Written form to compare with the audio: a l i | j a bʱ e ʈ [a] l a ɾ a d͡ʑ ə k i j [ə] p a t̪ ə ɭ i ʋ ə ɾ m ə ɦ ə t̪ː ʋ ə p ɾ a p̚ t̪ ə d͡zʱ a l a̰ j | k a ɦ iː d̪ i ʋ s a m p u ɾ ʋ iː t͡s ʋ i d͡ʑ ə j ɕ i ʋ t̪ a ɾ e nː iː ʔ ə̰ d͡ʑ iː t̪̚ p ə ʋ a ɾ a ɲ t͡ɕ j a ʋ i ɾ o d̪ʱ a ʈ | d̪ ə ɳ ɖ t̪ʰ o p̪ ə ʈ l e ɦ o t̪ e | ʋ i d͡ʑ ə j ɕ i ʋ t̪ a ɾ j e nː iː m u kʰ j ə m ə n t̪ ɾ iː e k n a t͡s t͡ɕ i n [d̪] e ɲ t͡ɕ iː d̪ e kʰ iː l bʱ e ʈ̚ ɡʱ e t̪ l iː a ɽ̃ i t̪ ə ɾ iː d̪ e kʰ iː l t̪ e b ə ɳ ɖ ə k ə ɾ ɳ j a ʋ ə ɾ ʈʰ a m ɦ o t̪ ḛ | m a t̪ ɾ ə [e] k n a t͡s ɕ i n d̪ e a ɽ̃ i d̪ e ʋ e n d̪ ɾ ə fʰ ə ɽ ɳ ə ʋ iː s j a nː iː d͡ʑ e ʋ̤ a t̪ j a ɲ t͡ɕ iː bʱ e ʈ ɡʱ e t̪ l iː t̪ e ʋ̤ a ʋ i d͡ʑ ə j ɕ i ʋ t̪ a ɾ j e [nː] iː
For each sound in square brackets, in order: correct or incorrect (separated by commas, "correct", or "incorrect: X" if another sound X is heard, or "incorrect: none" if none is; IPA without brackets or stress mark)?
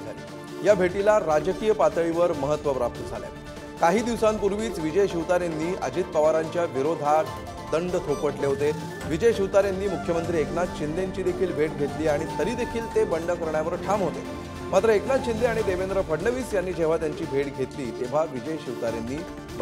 incorrect: i, correct, correct, correct, correct